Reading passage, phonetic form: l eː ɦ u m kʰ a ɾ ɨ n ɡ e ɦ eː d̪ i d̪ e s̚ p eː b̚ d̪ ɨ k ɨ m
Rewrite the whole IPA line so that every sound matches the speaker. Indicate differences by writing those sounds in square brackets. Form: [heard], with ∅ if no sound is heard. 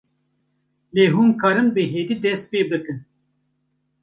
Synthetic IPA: l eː ɦ u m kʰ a ɾ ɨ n [b] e ɦ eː d̪ i d̪ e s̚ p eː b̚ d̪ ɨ k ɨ [n]